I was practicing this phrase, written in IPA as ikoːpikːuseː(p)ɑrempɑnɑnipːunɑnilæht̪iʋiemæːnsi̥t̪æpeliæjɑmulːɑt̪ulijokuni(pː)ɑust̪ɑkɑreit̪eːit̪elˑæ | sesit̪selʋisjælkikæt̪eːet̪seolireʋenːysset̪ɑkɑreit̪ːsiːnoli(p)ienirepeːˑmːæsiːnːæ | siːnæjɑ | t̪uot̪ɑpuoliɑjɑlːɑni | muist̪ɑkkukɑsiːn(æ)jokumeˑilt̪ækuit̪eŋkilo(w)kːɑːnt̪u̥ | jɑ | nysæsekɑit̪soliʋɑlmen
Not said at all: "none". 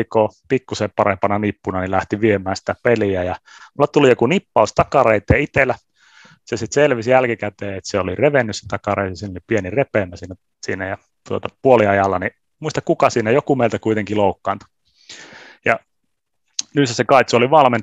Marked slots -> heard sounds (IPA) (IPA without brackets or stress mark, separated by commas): p, pː, p, æ, u